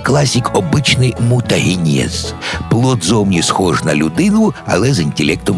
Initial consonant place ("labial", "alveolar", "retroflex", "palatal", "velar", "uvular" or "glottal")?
velar